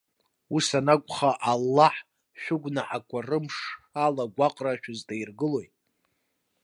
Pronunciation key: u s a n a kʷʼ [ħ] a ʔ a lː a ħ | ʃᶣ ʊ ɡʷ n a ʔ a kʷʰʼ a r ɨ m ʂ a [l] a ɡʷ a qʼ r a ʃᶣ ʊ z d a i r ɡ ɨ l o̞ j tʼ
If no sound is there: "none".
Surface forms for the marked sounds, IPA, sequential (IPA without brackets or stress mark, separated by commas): χ, l